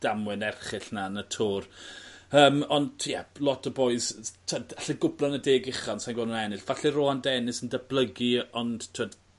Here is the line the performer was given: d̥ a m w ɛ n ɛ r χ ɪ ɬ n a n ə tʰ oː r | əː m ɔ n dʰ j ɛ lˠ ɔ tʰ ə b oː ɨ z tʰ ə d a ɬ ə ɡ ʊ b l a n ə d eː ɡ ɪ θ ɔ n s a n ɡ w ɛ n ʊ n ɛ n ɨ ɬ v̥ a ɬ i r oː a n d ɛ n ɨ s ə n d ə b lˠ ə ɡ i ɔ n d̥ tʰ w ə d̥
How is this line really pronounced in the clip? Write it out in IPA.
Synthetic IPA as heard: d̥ a m w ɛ n ɛ r χ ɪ ɬ n a n ə tʰ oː r | əː m ɔ n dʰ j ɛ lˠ ɔ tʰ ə b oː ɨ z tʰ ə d a ɬ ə ɡ ʊ b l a n ə d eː ɡ ɪ χ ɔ n s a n ɡ w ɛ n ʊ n ɛ n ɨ ɬ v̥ a ɬ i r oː a n d ɛ n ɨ s ə n d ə b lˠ ə ɡ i ɔ n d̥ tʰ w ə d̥